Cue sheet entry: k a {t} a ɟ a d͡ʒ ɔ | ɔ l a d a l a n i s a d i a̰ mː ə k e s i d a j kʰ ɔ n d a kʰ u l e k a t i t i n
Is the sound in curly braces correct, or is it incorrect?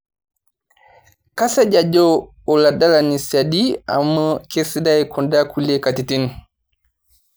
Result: incorrect